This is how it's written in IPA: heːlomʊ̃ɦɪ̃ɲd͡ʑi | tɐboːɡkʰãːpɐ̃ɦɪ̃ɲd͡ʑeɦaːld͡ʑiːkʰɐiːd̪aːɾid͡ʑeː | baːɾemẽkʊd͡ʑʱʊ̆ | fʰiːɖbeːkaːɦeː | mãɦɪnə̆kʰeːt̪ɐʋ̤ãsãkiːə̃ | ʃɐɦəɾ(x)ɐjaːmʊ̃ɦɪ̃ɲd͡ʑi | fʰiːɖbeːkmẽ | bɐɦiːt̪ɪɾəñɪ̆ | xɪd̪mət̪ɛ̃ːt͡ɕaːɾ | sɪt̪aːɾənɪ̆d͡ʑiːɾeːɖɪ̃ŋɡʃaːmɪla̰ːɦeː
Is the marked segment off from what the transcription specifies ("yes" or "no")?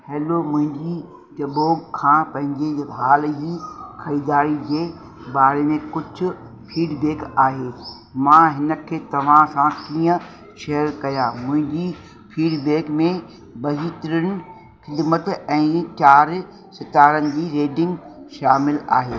yes